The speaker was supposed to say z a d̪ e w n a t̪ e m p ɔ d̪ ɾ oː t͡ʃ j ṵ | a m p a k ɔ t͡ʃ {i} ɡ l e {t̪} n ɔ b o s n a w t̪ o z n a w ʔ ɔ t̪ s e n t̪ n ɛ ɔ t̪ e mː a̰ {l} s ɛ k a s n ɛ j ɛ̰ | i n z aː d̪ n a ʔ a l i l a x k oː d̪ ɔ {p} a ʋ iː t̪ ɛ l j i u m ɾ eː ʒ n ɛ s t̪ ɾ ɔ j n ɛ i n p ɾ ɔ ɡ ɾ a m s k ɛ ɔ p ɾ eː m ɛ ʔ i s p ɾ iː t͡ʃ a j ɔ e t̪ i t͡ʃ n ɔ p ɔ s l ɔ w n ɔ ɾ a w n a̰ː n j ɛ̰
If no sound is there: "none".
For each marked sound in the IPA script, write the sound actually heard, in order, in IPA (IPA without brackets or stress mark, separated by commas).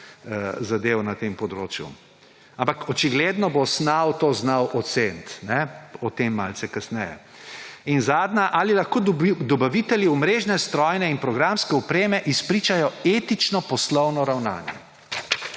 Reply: i, d̪, l, b